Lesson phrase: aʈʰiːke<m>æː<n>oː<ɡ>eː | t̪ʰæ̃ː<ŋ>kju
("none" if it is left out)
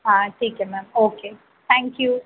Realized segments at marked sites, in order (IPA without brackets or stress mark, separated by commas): m, m, k, ŋ